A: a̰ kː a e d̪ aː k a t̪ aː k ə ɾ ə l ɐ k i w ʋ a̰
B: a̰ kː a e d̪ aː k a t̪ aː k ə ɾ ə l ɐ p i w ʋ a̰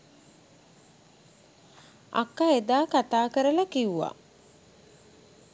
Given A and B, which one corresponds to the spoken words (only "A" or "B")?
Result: A